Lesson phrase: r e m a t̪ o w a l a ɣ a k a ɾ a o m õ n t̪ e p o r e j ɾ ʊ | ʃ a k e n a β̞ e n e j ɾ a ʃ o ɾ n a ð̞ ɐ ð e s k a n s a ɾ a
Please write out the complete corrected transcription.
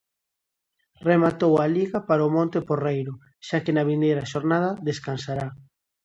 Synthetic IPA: r e m a t̪ o w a l i ɣ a p a ɾ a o m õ n t̪ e p o r e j ɾ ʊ | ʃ a k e n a β̞ i n e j ɾ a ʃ o ɾ n a ð̞ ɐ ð e s k a n s a ɾ a